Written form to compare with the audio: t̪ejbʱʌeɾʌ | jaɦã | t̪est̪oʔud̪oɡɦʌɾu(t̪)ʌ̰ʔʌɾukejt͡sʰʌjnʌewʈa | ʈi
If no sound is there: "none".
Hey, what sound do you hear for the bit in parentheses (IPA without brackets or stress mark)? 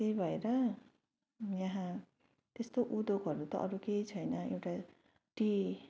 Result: t̪